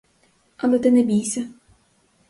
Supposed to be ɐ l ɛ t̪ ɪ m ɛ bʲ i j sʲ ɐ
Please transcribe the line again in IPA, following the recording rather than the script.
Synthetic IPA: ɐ l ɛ t̪ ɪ n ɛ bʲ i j sʲ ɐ